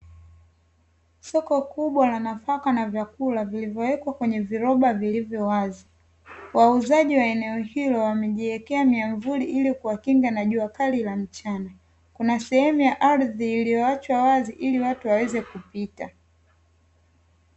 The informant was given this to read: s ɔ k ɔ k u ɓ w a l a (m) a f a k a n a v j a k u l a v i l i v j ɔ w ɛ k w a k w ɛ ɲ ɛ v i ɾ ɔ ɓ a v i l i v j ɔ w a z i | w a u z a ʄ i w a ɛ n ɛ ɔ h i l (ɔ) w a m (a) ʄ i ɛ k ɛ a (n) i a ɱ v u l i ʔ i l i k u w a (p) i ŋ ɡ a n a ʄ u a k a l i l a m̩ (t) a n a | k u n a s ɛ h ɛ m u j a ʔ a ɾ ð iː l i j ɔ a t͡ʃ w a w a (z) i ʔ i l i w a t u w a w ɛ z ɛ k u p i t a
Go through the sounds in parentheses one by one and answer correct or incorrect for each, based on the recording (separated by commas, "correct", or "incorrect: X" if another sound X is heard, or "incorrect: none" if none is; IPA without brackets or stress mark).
incorrect: n, correct, incorrect: ɛ, incorrect: m, incorrect: k, incorrect: t͡ʃ, correct